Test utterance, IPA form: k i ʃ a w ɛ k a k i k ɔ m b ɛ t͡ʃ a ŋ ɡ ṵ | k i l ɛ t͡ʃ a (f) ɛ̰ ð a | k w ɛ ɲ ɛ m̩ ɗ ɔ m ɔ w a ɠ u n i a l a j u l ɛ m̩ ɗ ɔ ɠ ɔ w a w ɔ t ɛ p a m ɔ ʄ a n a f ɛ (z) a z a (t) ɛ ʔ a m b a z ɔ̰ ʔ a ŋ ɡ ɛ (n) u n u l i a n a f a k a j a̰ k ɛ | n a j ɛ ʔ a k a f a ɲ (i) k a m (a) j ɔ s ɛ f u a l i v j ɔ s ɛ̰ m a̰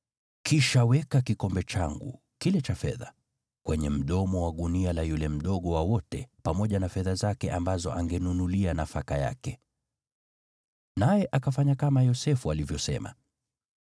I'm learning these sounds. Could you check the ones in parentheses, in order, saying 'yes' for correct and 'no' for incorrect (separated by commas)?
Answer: yes, no, no, yes, no, yes